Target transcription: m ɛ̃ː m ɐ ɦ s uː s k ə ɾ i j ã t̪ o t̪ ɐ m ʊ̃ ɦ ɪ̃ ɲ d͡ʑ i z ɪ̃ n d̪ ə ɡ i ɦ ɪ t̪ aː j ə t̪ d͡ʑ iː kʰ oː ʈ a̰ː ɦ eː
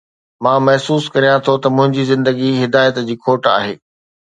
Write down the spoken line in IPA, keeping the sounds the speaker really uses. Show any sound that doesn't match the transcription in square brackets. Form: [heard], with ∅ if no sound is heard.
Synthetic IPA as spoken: m [ãː] m ɐ ɦ s uː s k [ɐ] ɾ i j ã [t̪ʰ] o t̪ ɐ m ʊ̃ ɦ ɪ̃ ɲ d͡ʑ i z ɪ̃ n d̪ ə ɡ i ɦ ɪ [d̪] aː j ə t̪ d͡ʑ iː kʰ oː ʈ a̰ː ɦ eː